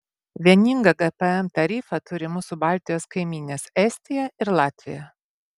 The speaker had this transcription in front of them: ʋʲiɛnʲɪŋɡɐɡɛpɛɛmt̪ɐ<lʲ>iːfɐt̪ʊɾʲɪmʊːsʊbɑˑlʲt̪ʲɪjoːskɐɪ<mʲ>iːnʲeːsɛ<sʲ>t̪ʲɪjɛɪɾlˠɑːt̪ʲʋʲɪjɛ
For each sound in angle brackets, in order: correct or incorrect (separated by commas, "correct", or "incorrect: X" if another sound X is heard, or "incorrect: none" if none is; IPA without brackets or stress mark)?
incorrect: ɾʲ, correct, correct